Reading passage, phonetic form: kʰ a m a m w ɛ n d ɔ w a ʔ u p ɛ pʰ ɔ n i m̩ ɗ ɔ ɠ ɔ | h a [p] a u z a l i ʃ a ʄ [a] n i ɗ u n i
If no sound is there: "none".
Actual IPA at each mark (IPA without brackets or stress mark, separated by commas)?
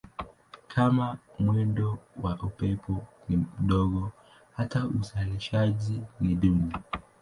t, i